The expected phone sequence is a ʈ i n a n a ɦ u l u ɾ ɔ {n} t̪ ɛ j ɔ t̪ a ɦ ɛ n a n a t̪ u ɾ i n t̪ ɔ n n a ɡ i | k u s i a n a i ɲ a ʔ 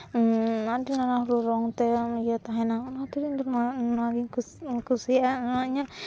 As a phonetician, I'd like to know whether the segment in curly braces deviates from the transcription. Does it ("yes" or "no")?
yes